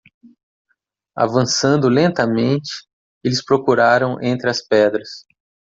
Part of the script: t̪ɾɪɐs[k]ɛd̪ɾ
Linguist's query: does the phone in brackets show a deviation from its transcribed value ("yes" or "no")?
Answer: yes